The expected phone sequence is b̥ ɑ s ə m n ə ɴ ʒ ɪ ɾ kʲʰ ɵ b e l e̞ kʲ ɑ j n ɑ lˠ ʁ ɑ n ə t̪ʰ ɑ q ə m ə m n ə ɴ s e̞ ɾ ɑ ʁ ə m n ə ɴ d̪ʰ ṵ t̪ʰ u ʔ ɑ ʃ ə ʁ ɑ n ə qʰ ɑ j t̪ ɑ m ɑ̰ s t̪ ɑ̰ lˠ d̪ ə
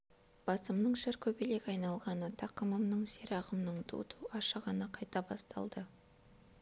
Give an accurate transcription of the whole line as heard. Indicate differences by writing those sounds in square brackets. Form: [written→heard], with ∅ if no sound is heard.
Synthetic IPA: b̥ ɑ s ə m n ə ɴ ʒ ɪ ɾ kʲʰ ɵ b e l e̞ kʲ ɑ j n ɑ lˠ ʁ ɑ n ə t̪ʰ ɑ q ə m ə m n ə ɴ s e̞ ɾ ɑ ʁ ə m n ə ɴ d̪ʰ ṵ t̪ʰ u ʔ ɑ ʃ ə ʁ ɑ n ə qʰ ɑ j t̪ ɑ [m→b] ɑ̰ s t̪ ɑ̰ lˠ d̪ ə